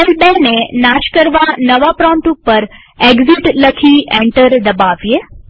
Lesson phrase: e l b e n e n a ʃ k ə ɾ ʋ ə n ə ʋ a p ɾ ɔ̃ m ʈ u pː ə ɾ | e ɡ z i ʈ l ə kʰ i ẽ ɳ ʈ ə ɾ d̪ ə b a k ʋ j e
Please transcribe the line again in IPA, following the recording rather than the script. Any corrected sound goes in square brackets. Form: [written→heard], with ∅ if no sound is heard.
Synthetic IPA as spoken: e l b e n e n a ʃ k ə ɾ ʋ [ə→a] n ə ʋ a p ɾ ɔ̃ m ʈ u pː ə ɾ | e ɡ z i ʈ l ə kʰ i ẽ ɳ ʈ ə ɾ d̪ ə b a [k→∅] ʋ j e

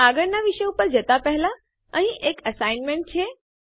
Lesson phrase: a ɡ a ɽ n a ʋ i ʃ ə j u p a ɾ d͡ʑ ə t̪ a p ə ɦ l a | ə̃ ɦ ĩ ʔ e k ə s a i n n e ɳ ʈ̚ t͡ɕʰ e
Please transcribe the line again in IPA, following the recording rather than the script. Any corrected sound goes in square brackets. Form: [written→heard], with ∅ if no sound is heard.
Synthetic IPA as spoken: a ɡ [a→ə] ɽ n a ʋ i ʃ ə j u p [a→ə] ɾ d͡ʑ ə t̪ a p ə ɦ l a | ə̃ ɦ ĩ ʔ e k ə s a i n [n→m] e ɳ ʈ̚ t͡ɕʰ e

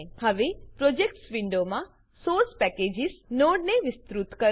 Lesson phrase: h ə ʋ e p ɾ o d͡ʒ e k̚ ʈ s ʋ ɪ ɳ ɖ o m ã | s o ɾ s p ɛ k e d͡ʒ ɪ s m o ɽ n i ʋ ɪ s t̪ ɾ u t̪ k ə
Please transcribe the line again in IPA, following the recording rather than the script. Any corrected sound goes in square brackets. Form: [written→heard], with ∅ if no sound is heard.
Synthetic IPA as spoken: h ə ʋ e p ɾ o d͡ʒ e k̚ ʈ s ʋ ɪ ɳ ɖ o m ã | s o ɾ s p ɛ k e d͡ʒ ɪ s [m→n] o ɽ n [i→e] ʋ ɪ s t̪ ɾ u t̪ k ə

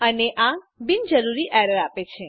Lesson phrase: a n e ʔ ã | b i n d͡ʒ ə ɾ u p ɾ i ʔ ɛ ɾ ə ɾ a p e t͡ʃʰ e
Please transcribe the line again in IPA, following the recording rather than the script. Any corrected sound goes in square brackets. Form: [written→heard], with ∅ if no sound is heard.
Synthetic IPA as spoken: [a→ə] n e ʔ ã | b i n d͡ʒ ə ɾ u [p→∅] ɾ i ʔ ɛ ɾ ə ɾ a p e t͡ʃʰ e

